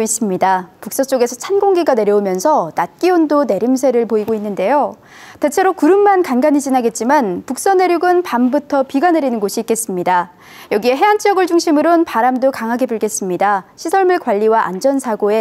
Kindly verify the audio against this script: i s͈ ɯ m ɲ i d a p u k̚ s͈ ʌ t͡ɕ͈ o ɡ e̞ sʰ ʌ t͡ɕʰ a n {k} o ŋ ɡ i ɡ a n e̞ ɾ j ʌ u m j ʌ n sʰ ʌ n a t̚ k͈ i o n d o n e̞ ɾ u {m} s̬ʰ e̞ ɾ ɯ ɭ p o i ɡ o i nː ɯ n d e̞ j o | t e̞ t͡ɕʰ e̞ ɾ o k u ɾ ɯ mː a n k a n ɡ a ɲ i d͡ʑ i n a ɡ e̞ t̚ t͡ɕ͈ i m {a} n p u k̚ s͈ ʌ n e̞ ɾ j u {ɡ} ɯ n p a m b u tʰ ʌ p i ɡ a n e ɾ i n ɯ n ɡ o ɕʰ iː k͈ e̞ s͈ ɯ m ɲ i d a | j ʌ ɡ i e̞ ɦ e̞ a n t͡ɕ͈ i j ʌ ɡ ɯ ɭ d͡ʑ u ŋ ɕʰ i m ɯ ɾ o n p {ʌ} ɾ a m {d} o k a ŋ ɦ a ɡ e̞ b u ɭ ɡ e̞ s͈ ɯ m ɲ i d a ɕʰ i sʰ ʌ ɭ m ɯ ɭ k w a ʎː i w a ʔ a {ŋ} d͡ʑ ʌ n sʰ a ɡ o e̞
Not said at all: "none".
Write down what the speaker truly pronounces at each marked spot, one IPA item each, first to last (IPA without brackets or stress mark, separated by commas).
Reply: ɡ, m, a, ɡ, a, d, n